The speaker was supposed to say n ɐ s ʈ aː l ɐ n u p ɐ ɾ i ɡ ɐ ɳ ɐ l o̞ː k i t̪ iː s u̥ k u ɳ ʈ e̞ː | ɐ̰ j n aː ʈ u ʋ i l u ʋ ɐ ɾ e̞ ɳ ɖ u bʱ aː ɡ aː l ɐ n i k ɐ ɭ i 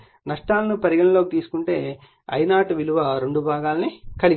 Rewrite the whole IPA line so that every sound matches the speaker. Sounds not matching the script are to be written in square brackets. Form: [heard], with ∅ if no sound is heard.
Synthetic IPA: n ɐ [ʂ] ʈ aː l ɐ n u p ɐ ɾ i ɡ ɐ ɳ ɐ l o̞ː k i t̪ iː s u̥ k u ɳ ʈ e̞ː | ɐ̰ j n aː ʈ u ʋ i l u ʋ ɐ ɾ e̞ ɳ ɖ u bʱ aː ɡ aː l ɐ n i k ɐ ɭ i